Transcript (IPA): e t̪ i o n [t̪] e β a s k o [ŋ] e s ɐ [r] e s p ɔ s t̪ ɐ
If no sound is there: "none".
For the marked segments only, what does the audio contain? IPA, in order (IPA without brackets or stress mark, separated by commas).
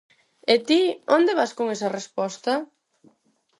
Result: d̪, ŋ, r